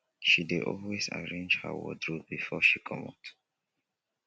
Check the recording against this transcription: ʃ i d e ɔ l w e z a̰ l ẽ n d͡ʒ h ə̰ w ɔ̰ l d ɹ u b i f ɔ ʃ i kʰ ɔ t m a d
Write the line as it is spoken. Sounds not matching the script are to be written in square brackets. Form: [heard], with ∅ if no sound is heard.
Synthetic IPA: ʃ i d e ɔ l w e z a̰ [ɹ] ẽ n d͡ʒ h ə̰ w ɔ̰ [∅] d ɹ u b i f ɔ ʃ i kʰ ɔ [∅] m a [t]

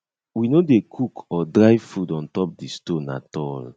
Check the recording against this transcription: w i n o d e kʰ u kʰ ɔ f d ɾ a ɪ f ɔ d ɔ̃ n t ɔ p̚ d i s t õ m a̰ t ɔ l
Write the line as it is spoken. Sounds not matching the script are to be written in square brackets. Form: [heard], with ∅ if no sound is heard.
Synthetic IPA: w i n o d e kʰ u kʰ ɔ [∅] d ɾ a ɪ f [u] d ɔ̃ n t ɔ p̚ d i s t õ [n] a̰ t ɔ l

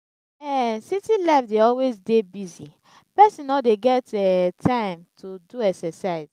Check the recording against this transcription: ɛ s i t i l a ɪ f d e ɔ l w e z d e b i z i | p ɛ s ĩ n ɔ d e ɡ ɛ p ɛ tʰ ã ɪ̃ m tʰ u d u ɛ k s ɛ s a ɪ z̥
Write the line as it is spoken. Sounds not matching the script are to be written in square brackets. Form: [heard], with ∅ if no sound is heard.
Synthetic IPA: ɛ s i t i l a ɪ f d e ɔ l w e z d e b i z i | p ɛ s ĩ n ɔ d e ɡ ɛ [t] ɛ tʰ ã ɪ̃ m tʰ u d u ɛ k s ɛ s a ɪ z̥

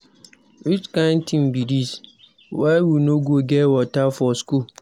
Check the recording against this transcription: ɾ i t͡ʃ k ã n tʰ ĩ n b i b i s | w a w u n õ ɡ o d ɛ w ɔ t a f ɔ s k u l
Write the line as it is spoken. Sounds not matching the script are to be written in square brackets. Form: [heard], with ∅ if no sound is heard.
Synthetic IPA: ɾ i t͡ʃ k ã n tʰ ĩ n b i [d] i s | w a w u n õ ɡ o [ɡ] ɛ w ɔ t a f ɔ s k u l

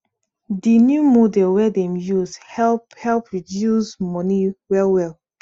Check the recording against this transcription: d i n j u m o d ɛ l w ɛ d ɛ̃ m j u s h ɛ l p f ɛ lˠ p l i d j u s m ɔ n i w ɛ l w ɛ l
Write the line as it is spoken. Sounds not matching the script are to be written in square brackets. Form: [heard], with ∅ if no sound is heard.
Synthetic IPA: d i n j u m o d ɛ l w ɛ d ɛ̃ m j u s h ɛ l p [h] ɛ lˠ p [ɹ] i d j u s m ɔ n i w ɛ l w ɛ l

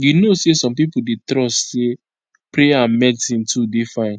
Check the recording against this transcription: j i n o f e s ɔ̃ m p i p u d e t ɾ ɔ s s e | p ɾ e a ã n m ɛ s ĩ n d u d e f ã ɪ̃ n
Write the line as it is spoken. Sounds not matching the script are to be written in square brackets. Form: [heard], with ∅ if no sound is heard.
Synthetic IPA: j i n o [s] e s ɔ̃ m p i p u d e t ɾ ɔ s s e | p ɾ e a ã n m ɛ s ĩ n [t] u d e f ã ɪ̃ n

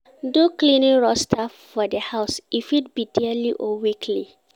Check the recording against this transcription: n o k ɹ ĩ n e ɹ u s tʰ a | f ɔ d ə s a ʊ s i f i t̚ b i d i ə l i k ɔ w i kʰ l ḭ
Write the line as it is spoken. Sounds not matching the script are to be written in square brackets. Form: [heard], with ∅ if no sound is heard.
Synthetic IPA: [d] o k [l] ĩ n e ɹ [ɔ] s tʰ a | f ɔ d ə [h] a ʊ s i f i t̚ b i d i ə l i [ʔ] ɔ w i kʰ l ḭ

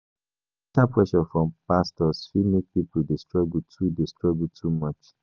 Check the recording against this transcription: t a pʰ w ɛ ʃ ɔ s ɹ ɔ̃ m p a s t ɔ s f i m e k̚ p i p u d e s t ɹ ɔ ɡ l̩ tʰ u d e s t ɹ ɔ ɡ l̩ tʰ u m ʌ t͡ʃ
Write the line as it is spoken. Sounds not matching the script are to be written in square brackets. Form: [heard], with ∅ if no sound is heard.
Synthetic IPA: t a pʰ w ɛ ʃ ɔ [f] ɹ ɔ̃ m p a s t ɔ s f i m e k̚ p i p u d e s t ɹ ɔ ɡ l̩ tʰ u d e s t ɹ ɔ ɡ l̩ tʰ u m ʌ t͡ʃ

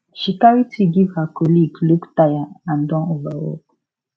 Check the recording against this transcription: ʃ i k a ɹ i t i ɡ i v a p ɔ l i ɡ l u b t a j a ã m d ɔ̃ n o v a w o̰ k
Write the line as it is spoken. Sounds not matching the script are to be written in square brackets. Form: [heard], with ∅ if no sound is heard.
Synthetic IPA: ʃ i k a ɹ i t i ɡ i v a [k] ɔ l i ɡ l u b t a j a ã [n] d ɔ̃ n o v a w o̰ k

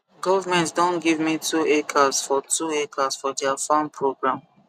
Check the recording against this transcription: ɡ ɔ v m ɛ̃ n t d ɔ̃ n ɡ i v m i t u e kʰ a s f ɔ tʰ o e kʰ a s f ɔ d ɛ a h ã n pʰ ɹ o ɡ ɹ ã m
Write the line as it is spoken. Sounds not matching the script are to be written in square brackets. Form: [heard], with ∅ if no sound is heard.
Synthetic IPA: ɡ ɔ v m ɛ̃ n t d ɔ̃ n ɡ i v m i t u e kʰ a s f ɔ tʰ [u] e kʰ a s f ɔ d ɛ a [f] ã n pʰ ɹ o ɡ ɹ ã m

